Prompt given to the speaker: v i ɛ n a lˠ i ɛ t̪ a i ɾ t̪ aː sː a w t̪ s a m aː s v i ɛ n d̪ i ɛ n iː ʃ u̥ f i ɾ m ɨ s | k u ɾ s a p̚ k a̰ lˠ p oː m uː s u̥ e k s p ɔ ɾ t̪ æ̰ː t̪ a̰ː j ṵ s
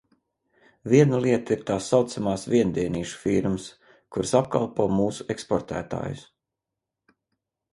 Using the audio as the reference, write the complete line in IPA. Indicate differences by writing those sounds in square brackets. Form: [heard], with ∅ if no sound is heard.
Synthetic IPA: v i ɛ n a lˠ i ɛ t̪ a i ɾ t̪ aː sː a w t̪ s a m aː s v i ɛ n d̪ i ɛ n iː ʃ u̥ f i ɾ m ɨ s | k u ɾ s a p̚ k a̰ lˠ p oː m uː s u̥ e k s p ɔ ɾ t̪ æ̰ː t̪ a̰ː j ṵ s